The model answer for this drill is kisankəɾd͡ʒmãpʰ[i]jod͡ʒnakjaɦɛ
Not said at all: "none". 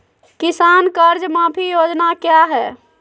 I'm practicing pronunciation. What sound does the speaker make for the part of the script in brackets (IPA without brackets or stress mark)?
i